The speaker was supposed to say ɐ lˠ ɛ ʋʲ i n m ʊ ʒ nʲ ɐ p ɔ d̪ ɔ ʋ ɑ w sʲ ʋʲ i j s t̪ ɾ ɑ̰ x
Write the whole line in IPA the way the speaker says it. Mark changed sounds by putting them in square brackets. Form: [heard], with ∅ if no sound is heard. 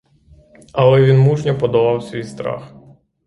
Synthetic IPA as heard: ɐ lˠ ɛ ʋʲ i n m [u] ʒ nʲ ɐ p ɔ d̪ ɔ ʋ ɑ w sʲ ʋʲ i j s t̪ ɾ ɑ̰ x